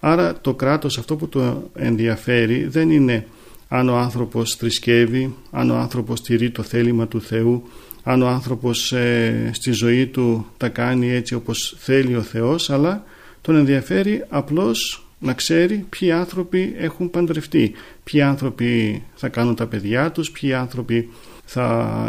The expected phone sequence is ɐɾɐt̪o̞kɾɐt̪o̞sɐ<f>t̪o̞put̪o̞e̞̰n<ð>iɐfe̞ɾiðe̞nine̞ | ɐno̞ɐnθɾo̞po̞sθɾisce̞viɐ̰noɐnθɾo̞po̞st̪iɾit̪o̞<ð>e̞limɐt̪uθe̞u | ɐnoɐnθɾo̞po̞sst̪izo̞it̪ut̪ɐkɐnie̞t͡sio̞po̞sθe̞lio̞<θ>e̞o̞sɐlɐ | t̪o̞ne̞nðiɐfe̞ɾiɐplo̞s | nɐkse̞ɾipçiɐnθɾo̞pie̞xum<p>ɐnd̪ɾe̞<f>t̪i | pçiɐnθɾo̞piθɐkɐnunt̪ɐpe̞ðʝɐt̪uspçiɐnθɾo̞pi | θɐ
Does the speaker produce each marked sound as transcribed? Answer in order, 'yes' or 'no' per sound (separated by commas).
yes, yes, no, yes, yes, yes